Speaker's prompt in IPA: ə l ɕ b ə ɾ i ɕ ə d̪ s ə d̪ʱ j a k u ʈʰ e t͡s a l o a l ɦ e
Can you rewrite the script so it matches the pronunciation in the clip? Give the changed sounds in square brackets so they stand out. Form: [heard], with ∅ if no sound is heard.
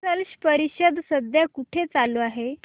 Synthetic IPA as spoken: ə l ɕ [p] ə ɾ i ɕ ə d̪ s ə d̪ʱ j a k u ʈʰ e t͡s a l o a [∅] ɦ e